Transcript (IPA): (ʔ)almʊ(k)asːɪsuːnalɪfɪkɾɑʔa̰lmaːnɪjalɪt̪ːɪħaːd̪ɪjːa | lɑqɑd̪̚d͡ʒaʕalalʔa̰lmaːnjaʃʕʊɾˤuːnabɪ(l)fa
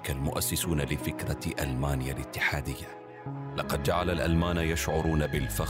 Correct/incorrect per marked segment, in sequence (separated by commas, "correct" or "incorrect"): incorrect, incorrect, correct